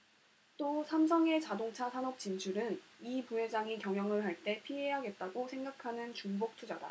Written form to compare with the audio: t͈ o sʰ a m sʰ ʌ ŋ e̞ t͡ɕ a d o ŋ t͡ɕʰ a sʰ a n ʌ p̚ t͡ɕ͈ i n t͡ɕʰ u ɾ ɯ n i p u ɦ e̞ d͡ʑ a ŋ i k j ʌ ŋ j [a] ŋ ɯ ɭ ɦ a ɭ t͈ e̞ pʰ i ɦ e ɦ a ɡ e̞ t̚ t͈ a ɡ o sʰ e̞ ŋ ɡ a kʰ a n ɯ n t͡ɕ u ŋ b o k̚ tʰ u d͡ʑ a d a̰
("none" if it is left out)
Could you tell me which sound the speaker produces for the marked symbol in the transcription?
ʌ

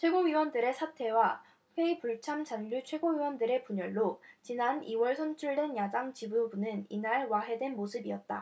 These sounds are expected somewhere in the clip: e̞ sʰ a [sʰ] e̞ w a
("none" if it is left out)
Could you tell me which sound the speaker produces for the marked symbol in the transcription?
tʰ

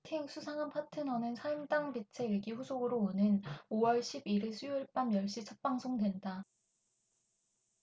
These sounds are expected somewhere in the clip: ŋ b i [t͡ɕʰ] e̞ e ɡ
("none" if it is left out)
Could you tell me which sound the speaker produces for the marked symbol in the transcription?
t͡ɕʰ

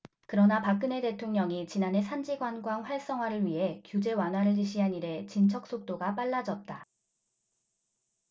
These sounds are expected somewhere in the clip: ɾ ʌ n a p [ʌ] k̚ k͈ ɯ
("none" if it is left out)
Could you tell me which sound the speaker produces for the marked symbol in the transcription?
a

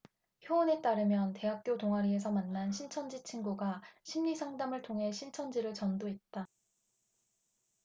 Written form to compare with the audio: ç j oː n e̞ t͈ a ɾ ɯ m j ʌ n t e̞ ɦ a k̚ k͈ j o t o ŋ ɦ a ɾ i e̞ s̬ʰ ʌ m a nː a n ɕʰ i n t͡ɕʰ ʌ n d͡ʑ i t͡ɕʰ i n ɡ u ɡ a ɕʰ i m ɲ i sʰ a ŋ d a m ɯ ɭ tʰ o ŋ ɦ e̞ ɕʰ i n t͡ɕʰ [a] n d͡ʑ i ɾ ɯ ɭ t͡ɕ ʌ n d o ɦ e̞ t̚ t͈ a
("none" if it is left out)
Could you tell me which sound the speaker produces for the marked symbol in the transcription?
ʌ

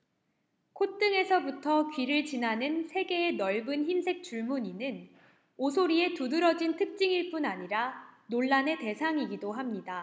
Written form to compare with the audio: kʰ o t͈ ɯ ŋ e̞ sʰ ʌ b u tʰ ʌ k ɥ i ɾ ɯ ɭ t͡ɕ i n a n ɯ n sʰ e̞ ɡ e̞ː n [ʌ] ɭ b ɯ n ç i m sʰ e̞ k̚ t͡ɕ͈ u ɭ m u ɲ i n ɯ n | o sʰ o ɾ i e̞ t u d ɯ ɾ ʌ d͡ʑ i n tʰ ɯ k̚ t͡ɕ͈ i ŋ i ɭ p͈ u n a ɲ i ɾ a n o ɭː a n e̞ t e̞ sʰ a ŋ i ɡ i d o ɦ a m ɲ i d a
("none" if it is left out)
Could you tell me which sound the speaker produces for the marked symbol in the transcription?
ʌ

